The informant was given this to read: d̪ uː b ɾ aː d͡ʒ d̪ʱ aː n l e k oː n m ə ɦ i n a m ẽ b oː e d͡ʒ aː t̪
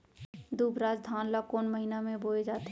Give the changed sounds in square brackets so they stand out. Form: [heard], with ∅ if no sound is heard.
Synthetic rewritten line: d̪ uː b ɾ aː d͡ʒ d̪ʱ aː n l [a] k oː n m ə ɦ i n a m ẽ b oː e d͡ʒ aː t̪